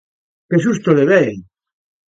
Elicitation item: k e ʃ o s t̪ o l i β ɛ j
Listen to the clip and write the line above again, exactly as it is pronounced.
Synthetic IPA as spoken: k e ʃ u s t̪ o l e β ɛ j